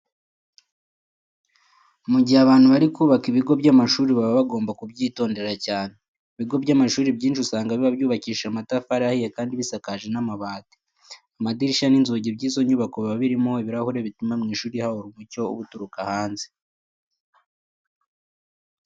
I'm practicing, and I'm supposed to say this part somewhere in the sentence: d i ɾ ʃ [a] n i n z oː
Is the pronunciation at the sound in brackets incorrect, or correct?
correct